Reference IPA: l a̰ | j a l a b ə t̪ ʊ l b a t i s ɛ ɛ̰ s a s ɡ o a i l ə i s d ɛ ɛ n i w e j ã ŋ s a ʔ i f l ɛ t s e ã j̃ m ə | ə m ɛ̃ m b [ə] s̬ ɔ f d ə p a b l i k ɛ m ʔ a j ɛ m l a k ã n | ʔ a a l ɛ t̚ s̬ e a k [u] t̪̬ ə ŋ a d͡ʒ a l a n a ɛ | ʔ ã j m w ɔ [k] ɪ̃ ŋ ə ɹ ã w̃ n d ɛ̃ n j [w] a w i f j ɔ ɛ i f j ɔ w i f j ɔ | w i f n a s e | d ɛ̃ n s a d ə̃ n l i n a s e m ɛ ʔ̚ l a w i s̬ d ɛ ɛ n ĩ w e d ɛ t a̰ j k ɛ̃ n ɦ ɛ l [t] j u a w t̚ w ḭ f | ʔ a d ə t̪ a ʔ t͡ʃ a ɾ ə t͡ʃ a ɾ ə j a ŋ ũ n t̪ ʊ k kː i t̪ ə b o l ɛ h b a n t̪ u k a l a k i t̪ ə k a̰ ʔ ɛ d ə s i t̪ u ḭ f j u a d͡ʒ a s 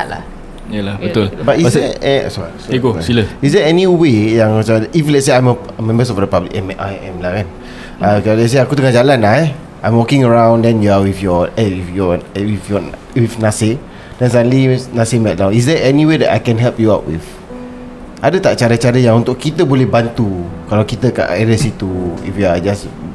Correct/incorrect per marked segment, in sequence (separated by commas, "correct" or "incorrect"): correct, correct, correct, incorrect, incorrect